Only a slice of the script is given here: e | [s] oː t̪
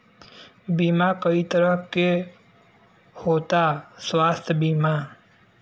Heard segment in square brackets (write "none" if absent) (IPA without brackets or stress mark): h